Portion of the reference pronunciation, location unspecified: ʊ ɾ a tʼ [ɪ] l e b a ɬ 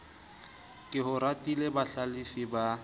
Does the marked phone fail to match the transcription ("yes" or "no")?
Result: yes